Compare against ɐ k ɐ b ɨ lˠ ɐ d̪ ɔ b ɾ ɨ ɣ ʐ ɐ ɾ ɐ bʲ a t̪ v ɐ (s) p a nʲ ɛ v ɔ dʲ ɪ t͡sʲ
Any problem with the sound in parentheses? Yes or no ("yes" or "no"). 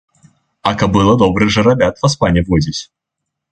no